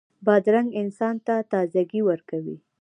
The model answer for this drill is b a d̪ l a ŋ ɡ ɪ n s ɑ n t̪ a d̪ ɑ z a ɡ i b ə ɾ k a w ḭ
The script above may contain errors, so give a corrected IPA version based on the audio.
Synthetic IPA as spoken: b ɑ d̪ ɾ a ŋ ɡ ɪ n s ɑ n t̪ a t̪ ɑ z a ɡ i w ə ɾ k a w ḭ